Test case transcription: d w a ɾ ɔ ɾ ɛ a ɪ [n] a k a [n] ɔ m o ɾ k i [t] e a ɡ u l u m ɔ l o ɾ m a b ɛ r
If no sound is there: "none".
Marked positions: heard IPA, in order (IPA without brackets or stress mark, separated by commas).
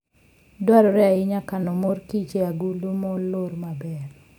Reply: ɲ, n, t͡ʃ